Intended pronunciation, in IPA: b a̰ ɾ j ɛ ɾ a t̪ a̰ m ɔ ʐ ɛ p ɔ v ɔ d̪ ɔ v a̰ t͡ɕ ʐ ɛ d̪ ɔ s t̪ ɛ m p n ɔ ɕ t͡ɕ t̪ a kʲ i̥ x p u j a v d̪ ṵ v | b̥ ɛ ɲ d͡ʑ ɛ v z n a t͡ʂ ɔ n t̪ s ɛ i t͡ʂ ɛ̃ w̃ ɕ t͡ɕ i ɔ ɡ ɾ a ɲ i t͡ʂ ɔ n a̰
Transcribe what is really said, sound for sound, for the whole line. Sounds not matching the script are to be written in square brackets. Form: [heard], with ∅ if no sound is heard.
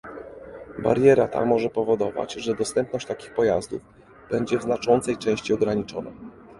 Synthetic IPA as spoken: b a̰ ɾ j ɛ ɾ a t̪ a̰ m ɔ ʐ ɛ p ɔ v ɔ d̪ ɔ v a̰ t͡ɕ ʐ ɛ d̪ ɔ s t̪ ɛ m p n ɔ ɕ t͡ɕ t̪ a kʲ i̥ x p [ɔ] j a [z] d̪ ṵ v | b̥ ɛ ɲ d͡ʑ ɛ v z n a t͡ʂ ɔ n t̪ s ɛ [j] t͡ʂ ɛ̃ w̃ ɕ t͡ɕ i ɔ ɡ ɾ a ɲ i t͡ʂ ɔ n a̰